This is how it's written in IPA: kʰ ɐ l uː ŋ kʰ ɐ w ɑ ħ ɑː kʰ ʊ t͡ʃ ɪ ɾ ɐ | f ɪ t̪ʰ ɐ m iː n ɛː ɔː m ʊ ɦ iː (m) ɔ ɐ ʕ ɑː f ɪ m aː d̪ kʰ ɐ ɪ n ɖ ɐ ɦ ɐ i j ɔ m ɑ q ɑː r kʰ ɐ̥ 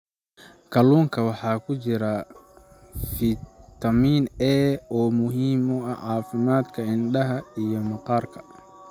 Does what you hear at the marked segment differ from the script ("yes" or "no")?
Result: no